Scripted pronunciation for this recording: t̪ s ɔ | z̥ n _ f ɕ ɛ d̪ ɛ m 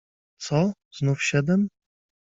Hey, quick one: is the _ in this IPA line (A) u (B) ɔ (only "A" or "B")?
A